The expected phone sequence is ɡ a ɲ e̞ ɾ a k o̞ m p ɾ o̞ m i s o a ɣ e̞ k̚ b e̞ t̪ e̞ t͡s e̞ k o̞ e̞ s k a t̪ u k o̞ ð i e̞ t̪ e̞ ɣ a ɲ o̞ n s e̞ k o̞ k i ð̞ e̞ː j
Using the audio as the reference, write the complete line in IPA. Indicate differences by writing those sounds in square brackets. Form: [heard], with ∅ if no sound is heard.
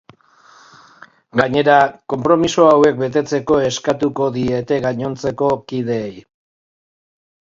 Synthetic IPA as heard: ɡ a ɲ e̞ ɾ a k o̞ m p ɾ o̞ m i s o a [w] e̞ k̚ b e̞ t̪ e̞ t͡s e̞ k o̞ e̞ s k a t̪ u k o̞ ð i e̞ t̪ e̞ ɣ a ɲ o̞ n [t͡s] e̞ k o̞ k i ð̞ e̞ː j